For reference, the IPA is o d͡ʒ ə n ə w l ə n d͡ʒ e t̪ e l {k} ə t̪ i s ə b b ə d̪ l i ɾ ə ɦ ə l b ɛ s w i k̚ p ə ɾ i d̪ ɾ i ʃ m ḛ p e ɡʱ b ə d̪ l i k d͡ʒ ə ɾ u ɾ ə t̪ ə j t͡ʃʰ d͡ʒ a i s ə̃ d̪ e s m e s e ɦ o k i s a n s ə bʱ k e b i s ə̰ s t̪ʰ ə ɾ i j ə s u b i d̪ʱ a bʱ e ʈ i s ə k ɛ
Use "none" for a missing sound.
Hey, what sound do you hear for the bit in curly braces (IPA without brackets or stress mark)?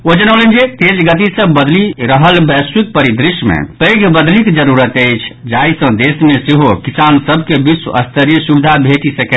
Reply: ɡ